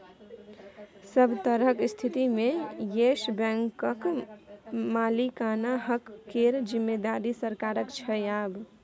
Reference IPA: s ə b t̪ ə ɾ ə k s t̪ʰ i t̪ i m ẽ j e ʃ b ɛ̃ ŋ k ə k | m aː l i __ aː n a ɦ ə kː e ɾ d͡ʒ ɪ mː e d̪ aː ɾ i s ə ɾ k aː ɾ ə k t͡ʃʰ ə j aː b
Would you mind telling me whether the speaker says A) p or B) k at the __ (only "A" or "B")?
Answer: B